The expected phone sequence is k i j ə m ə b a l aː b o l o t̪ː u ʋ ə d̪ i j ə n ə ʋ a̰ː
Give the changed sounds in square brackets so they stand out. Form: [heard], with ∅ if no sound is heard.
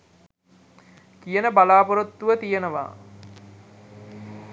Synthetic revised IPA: k i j ə [n] ə b a l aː [p] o [ɾ] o t̪ː u ʋ ə [t̪] i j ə n ə ʋ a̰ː